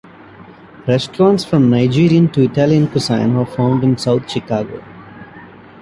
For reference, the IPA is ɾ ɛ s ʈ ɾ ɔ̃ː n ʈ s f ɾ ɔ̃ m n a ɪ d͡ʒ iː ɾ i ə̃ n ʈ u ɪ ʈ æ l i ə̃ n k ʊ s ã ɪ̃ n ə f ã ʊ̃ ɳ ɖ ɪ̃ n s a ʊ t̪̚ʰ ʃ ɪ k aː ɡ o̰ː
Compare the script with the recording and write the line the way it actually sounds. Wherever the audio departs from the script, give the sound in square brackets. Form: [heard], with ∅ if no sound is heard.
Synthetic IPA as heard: ɾ ɛ s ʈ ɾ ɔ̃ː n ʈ s f ɾ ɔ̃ m n a ɪ d͡ʒ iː ɾ i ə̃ n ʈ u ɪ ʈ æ l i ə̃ n k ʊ s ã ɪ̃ n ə f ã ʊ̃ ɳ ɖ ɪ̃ n s a ʊ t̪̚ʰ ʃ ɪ k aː ɡ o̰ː

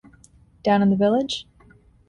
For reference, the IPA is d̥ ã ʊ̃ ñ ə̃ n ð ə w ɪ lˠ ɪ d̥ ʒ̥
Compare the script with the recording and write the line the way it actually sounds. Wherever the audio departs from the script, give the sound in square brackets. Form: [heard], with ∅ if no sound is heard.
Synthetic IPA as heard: d̥ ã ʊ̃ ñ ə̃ n ð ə [v] ɪ lˠ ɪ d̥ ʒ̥

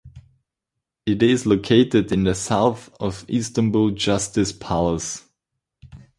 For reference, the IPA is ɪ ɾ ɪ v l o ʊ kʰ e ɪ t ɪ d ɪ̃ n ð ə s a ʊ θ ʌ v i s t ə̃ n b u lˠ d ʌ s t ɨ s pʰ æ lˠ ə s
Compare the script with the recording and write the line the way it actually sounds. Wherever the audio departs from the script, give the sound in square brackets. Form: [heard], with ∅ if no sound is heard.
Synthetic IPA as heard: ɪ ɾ ɪ [z] l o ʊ kʰ e ɪ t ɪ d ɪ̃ n ð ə s a ʊ θ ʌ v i s t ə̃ n b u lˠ [d͡ʒ] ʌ s t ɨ s pʰ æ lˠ ə s

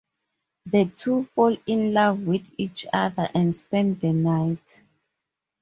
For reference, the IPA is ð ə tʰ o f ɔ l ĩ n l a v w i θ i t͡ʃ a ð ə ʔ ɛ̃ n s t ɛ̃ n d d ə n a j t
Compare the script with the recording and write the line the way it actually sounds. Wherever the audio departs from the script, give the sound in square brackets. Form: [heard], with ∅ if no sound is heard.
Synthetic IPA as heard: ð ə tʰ [u] f ɔ l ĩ n l a v w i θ i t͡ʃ a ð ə ʔ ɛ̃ n s [p] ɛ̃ n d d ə n a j t

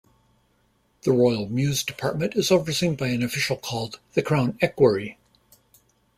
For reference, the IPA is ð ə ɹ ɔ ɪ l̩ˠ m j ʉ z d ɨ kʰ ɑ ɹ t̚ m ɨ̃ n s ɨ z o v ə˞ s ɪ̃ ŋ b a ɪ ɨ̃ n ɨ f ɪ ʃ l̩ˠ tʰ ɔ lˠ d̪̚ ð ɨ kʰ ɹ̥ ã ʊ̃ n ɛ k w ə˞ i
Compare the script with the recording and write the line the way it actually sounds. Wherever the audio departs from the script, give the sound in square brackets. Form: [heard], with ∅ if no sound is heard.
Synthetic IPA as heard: ð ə ɹ ɔ ɪ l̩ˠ m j ʉ z d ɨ [pʰ] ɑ ɹ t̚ m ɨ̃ n [t] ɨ z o v ə˞ s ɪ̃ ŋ b a ɪ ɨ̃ n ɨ f ɪ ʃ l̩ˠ [kʰ] ɔ lˠ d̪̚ ð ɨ kʰ ɹ̥ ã ʊ̃ n ɛ k w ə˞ i

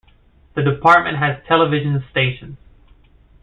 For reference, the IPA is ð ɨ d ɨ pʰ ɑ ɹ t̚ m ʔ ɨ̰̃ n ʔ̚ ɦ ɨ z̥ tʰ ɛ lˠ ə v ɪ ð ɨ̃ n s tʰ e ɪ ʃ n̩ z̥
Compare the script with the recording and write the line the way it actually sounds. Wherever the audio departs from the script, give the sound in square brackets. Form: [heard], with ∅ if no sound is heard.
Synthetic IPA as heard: ð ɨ d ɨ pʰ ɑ ɹ t̚ m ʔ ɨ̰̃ n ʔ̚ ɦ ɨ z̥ tʰ ɛ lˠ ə v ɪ [ʒ] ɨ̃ n s [t] e ɪ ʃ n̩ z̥

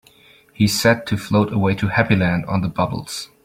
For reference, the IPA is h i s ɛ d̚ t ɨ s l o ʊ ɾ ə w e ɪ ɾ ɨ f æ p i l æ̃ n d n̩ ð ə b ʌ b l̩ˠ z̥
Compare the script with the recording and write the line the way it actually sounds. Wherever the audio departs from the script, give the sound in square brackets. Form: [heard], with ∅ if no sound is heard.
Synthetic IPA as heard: h i s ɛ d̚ [tʰ] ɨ [f] l o ʊ ɾ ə w e ɪ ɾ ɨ [h] æ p i l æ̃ n d n̩ ð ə b ʌ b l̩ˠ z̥

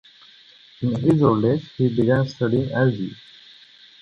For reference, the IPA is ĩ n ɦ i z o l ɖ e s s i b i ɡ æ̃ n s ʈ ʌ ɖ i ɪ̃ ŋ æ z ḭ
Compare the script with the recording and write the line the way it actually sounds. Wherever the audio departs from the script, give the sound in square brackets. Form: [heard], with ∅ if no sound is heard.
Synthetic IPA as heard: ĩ n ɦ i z o l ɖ e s [h] i b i ɡ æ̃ n s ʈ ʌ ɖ i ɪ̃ ŋ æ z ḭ

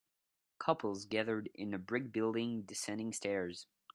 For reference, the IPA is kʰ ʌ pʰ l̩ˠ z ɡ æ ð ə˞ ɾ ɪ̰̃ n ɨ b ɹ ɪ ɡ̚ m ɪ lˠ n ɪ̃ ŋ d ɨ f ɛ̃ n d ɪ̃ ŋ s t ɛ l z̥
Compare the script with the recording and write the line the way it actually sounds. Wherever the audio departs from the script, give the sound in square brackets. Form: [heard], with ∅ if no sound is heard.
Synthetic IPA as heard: kʰ ʌ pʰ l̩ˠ z ɡ æ ð ə˞ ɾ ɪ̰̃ n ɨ b ɹ ɪ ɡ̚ [b] ɪ lˠ [d] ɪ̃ ŋ d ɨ [s] ɛ̃ n d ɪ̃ ŋ s t ɛ [ɹ] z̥

